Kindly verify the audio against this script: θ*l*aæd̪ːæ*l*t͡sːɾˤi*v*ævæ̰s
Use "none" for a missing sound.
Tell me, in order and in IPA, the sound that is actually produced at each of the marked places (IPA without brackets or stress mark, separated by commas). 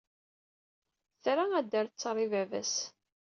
ɾ, ɾ, v